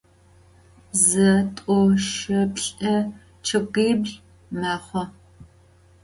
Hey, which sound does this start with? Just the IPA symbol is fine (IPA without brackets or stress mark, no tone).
z